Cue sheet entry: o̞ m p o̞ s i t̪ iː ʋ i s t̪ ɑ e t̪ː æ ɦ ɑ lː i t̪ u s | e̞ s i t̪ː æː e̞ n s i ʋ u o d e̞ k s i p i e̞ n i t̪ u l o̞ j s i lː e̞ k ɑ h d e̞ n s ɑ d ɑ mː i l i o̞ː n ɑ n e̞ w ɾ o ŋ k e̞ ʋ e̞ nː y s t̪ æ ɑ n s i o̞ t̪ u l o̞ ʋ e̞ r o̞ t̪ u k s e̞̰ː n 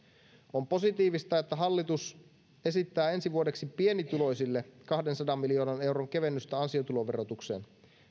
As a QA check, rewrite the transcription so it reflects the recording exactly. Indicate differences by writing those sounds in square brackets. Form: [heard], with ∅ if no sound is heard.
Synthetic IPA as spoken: o̞ m p o̞ s i t̪ iː ʋ i s t̪ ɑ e t̪ː æ ɦ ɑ lː i t̪ u s | e̞ s i t̪ː æː e̞ n s i ʋ u o d e̞ k s i p i e̞ n i t̪ u l o̞ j s i lː e̞ k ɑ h d e̞ n s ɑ d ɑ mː i l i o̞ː n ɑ n e̞ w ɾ o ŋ k e̞ ʋ e̞ nː y s t̪ æ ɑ n s i o̞ t̪ u l o̞ ʋ e̞ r o̞ t̪ u k s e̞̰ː n